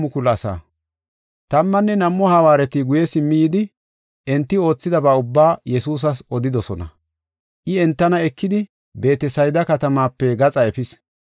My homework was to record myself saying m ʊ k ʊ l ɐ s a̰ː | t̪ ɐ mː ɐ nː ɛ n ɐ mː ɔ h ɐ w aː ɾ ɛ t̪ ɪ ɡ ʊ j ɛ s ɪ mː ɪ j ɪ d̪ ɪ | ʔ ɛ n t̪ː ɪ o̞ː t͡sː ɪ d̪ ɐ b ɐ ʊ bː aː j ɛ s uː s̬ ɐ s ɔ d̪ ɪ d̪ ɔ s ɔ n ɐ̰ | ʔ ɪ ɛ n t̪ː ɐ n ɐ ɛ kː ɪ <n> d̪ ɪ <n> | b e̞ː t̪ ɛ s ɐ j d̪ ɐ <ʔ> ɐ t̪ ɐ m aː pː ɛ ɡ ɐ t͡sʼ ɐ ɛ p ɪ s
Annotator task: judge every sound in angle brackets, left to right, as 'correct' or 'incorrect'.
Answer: incorrect, incorrect, incorrect

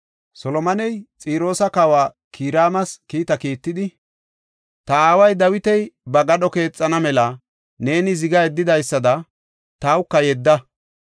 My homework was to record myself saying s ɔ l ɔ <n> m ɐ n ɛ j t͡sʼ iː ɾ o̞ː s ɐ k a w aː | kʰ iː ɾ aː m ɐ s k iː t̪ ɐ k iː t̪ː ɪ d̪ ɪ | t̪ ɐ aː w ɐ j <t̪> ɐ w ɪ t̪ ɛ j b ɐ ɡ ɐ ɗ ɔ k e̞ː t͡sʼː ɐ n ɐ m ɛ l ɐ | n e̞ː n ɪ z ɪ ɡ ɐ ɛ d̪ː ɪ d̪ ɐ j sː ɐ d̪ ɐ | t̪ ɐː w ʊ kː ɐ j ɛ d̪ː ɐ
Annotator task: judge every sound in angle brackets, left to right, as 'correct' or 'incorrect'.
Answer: incorrect, incorrect

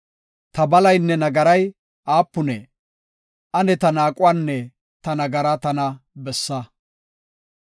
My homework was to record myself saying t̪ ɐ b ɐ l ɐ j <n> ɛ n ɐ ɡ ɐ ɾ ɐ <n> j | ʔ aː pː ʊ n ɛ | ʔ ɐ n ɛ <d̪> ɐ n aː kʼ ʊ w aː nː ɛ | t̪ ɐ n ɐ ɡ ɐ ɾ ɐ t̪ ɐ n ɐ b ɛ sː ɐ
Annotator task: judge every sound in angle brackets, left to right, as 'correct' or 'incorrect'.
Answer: incorrect, incorrect, incorrect

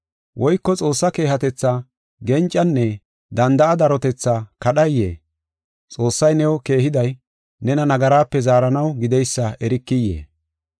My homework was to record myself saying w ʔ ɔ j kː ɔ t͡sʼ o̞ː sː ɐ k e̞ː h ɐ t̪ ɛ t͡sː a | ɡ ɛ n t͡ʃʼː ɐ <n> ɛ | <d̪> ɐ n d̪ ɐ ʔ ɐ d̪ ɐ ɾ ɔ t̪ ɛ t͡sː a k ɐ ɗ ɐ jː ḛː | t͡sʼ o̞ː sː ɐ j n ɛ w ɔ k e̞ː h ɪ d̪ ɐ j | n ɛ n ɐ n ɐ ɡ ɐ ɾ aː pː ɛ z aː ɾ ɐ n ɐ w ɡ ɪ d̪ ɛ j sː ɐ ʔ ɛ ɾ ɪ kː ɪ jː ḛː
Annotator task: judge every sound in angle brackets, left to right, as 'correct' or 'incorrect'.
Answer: incorrect, correct

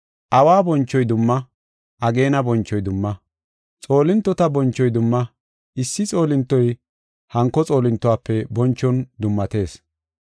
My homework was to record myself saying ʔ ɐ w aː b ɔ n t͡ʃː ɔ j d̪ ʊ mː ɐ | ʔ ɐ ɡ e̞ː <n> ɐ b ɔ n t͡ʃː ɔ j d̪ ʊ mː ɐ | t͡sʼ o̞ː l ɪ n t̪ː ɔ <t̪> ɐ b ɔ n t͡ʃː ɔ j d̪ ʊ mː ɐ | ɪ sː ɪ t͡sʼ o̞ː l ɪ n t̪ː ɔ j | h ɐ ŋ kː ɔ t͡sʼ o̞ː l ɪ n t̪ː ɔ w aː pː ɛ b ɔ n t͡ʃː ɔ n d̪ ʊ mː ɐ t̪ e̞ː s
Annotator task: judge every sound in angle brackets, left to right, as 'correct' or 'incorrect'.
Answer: correct, correct

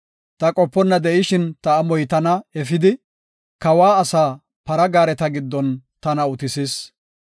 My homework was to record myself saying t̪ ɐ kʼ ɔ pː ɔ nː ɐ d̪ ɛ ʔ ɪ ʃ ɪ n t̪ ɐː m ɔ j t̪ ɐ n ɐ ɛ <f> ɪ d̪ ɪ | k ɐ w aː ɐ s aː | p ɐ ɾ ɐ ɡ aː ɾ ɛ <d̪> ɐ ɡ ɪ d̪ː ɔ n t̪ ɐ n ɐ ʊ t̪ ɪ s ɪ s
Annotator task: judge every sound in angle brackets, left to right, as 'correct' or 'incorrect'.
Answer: correct, incorrect

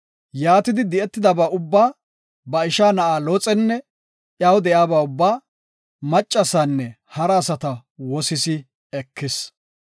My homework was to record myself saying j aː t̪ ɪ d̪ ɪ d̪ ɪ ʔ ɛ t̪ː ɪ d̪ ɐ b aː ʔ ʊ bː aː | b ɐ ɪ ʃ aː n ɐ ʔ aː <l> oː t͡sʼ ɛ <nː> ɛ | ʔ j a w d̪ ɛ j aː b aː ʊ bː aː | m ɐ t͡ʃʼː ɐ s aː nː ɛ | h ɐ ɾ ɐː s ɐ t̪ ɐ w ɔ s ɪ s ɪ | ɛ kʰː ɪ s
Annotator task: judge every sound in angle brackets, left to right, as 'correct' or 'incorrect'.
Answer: correct, correct

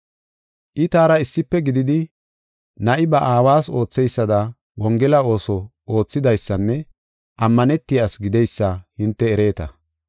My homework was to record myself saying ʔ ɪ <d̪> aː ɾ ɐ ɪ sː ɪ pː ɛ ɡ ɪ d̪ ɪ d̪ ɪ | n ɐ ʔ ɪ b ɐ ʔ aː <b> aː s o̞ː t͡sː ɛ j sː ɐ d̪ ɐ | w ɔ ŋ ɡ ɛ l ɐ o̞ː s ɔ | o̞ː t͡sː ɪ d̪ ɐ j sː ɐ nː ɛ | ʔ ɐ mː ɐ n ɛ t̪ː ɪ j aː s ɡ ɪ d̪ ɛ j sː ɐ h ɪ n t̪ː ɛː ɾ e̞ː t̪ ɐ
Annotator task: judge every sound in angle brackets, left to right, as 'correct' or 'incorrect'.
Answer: incorrect, incorrect

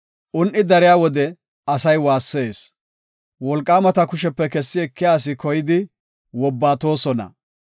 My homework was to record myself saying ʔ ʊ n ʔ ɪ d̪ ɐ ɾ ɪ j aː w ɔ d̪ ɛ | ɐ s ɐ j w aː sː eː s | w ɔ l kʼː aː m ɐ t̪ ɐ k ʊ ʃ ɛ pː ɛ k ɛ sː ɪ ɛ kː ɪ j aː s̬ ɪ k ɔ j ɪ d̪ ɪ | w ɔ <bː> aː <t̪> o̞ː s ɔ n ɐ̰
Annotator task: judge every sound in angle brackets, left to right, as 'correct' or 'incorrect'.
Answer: correct, correct

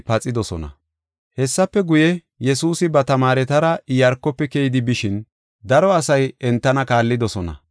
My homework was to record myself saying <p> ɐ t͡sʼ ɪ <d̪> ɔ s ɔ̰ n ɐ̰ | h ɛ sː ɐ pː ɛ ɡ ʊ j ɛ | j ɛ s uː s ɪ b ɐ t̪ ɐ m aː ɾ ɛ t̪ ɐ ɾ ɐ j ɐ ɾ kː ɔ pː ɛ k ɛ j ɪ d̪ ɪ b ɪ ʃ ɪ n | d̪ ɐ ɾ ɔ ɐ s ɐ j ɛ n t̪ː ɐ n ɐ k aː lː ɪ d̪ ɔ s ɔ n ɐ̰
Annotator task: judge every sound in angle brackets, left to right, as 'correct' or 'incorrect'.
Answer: correct, correct

